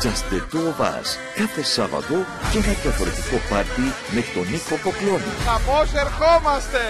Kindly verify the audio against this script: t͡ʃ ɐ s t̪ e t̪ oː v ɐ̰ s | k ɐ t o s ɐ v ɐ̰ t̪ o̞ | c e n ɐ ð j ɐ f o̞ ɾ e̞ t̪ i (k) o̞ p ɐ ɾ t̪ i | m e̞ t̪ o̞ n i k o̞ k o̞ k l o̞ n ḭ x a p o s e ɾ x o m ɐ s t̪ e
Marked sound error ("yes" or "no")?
no